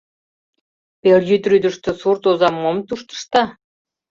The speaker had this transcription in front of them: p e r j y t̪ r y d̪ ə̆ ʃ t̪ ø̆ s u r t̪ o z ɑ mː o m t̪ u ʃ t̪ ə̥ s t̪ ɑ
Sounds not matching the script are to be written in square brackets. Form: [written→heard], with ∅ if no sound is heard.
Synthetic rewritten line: p e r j y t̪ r y d̪ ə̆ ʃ t̪ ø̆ s u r t̪ o z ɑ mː o m t̪ u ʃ t̪ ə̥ [s→ʃ] t̪ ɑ